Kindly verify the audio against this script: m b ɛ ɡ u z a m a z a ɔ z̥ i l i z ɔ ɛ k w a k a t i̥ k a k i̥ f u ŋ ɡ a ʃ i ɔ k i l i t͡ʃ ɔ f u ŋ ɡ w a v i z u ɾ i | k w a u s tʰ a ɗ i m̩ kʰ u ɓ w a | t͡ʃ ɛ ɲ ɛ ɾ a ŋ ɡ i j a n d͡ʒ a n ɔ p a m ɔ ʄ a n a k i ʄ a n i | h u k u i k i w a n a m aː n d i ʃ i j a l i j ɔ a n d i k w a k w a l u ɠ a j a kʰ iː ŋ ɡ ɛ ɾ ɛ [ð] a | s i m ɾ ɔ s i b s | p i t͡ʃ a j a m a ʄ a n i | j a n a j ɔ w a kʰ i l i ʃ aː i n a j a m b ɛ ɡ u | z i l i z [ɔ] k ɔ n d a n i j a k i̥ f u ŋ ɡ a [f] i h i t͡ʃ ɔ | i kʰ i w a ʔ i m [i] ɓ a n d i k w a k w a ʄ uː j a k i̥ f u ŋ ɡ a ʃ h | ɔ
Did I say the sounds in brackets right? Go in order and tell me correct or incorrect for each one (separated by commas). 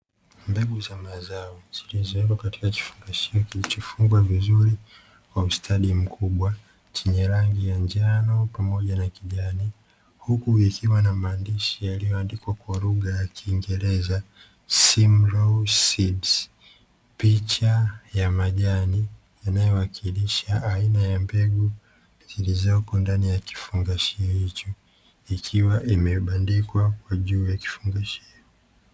incorrect, correct, incorrect, incorrect